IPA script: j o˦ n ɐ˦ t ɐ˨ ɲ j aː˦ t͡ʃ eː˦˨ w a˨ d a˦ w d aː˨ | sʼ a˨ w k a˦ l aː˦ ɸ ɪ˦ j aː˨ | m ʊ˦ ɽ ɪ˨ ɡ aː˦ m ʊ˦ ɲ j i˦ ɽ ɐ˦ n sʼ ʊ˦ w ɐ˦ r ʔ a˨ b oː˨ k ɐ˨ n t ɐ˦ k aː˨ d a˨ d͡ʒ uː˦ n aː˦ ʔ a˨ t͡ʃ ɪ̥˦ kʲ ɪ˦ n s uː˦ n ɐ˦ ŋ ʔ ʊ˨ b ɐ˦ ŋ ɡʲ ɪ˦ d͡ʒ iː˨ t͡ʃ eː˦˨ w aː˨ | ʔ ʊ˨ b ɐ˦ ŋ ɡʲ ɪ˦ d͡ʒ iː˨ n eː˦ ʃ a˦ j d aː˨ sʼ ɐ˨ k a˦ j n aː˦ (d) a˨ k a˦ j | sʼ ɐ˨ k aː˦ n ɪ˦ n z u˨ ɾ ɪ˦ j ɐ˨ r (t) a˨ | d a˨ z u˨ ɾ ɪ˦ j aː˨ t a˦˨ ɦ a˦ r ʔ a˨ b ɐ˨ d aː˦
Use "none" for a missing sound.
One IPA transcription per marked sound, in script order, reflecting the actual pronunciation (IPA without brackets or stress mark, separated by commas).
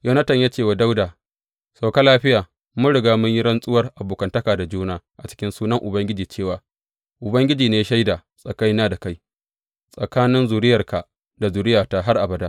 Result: d, k